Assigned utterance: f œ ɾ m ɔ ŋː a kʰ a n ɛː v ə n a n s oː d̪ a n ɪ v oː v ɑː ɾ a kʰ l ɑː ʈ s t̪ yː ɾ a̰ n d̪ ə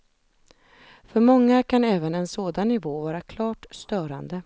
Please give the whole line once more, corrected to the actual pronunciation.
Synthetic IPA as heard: f œ ɾ m ɔ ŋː a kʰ a n ɛː v ə n ɛ n s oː d̪ a nː ɪ v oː v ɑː ɾ a kʰ l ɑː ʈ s t̪ œː ɾ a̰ n d̪ ə

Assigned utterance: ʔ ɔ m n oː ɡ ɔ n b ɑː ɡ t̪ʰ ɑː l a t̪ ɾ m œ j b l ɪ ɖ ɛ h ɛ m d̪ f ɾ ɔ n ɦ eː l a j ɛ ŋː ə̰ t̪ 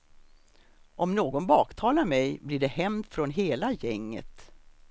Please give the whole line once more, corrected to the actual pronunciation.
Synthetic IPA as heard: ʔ ɔ m n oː ɡ ɔ n b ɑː k t̪ʰ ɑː l a ɾ m ɛ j b l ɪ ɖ ɛ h ɛ m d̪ f ɾ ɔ n ɦ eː l a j ɛ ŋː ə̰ t̪

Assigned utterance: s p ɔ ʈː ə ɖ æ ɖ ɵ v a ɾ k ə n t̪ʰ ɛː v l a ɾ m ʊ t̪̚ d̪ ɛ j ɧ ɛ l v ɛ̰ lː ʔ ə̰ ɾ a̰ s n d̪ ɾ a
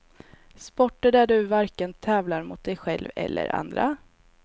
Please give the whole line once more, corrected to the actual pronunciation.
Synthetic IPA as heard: s p ɔ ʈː ə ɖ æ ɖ ɵ v a ɾ k ə n t̪ʰ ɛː v l a ɾ m ʊ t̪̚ d̪ ɛ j ɧ ɛ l v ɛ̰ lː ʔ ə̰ ɾ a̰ n d̪ ɾ a

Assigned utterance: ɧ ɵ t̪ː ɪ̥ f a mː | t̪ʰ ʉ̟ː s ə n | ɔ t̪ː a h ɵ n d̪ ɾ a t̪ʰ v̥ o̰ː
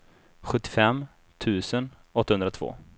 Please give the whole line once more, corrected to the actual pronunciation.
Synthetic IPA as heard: ɧ ɵ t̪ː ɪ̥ f ɛ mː | t̪ʰ ʉ̟ː s ə n | ɔ t̪ː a h ɵ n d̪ ɾ a t̪ʰ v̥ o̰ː

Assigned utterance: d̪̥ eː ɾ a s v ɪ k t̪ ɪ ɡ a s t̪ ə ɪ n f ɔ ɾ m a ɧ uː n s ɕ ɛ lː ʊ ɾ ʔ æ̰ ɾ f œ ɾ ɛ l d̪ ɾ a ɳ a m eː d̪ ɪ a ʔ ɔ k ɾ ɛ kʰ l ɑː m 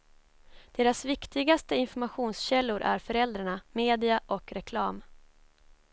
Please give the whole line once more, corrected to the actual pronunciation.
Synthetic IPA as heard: d̪̥ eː ɾ a s v ɪ k t̪ ɪ ɡ a s t̪ ə ɪ n f ɔ ɾ m a ɧ uː n s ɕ ɛ lː ʊ ɾ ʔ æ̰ ɾ f œ ɾ ɛ l d̪ ɾ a ɳ a m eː d̪ ɪ a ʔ ɔ k ɾ ɛ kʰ l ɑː m

